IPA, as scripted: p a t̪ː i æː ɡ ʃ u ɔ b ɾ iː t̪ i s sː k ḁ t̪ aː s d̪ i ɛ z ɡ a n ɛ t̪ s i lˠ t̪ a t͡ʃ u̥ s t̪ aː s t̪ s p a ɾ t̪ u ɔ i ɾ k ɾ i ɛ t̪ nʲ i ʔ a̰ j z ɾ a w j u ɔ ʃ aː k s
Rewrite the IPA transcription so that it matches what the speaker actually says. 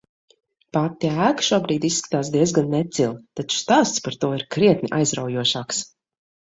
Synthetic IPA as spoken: p a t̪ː i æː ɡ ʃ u ɔ b ɾ iː d̪ i s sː k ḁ t̪ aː s d̪ i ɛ z ɡ a nː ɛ t̪ s i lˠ t̪ a t͡ʃ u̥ s t̪ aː s t̪ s p a ɾ t̪ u ɔ i ɾ k ɾ i ɛ t̪ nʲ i ʔ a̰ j z ɾ a w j u ɔ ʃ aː k s